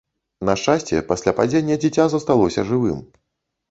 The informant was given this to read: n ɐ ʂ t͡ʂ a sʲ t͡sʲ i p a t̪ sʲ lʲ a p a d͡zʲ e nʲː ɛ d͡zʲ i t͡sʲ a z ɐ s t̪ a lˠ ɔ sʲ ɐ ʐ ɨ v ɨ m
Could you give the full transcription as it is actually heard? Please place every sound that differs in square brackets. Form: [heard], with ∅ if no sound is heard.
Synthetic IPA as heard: n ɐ ʂ t͡ʂ a sʲ t͡sʲ [ɛ] p a [∅] sʲ lʲ a p a d͡zʲ e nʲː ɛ d͡zʲ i t͡sʲ a z ɐ s t̪ a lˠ ɔ sʲ ɐ ʐ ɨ v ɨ m